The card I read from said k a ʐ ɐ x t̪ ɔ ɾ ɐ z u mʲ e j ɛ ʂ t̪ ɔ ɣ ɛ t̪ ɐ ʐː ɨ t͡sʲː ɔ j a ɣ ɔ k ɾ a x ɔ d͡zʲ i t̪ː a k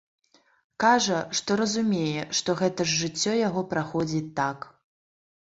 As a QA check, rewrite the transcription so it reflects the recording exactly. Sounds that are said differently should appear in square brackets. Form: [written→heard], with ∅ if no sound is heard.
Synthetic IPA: k a ʐ ɐ [x→ʂ] t̪ ɔ ɾ ɐ z u mʲ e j ɛ ʂ t̪ ɔ ɣ ɛ t̪ ɐ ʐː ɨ t͡sʲː ɔ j a ɣ ɔ [k→p] ɾ a x ɔ d͡zʲ i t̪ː a k